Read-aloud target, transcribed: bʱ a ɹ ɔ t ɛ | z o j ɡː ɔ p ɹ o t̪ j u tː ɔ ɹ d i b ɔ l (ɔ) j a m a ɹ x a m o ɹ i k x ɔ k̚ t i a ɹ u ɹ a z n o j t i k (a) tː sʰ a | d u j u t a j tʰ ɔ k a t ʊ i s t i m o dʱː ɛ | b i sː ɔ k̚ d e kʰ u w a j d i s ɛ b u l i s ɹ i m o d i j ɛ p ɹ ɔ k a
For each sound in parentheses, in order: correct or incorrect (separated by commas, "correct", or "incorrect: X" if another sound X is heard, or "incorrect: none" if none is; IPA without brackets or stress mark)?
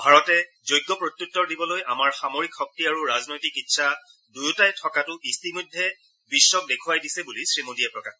incorrect: o, incorrect: i